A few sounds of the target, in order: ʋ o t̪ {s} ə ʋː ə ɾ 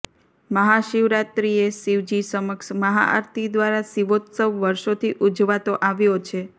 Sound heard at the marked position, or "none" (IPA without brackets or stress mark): s